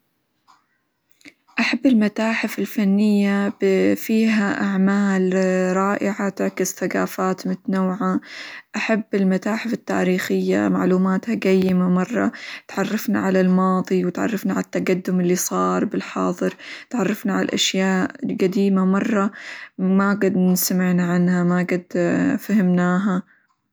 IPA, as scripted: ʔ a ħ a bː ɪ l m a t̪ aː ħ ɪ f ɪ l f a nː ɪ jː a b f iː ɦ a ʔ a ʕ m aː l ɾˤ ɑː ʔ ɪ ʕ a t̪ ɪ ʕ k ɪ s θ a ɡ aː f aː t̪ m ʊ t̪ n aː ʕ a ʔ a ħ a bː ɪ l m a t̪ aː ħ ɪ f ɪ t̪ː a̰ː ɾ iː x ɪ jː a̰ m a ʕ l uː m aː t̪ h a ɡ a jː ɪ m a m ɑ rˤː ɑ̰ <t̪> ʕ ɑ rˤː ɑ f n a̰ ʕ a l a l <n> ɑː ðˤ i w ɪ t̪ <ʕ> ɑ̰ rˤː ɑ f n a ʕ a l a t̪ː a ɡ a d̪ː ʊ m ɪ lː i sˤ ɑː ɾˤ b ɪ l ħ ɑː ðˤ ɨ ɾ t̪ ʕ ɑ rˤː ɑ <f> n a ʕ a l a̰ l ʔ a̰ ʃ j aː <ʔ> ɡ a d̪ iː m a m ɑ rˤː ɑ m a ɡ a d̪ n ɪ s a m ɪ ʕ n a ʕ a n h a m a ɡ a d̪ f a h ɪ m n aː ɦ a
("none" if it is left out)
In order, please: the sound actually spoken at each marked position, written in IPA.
t̪, m, ʕ, f, ʔ

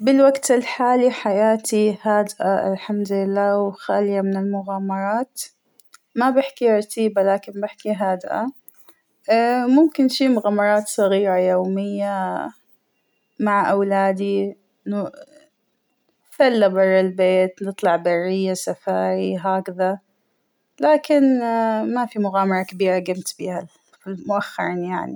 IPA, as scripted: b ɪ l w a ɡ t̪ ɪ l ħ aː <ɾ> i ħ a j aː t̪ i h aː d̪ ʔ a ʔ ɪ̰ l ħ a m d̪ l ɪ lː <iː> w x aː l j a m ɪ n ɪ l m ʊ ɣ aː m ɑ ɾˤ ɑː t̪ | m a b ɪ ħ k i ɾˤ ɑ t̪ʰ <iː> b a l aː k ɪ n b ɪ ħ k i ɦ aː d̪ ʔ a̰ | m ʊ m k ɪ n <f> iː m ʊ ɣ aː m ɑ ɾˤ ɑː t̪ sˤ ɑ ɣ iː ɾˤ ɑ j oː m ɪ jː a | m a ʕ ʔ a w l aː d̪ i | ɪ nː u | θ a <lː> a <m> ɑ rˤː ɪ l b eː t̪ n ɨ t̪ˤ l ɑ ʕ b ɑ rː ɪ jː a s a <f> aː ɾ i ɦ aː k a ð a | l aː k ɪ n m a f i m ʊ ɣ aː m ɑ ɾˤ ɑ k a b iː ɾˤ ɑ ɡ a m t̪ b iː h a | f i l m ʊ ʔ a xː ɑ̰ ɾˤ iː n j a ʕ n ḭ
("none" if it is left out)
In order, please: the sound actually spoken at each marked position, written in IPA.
l, aː, iː, ʃ, lː, b, f

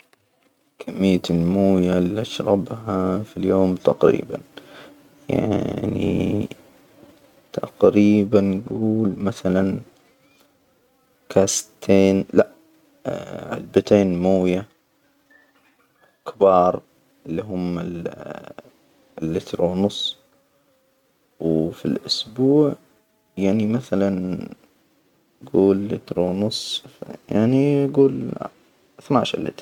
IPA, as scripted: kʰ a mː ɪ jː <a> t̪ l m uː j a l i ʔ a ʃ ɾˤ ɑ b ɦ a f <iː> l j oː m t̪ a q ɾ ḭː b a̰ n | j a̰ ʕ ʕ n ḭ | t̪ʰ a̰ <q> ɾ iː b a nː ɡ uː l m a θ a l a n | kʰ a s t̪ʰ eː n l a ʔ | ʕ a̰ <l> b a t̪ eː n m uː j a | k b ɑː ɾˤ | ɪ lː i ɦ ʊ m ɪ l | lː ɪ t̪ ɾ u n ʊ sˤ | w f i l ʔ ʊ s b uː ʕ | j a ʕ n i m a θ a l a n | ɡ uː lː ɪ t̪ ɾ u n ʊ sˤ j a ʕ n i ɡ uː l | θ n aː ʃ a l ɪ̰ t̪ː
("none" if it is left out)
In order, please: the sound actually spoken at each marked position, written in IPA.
a, i, q, l

